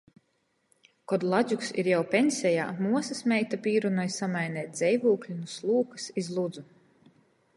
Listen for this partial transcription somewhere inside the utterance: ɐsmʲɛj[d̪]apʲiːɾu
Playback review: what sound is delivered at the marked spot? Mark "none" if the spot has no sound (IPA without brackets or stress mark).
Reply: t̪